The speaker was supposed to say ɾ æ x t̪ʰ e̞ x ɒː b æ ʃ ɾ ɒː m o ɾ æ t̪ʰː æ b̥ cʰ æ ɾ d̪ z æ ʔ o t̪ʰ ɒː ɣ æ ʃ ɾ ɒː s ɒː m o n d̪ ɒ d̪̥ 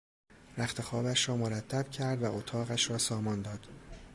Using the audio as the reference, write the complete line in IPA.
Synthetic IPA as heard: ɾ æ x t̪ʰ e̞ x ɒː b æ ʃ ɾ ɒː m o ɾ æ t̪ʰː æ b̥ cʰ æ ɾ d̪ v æ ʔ o t̪ʰ ɒː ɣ æ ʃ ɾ ɒː s ɒː m ɒ n d̪ ɒː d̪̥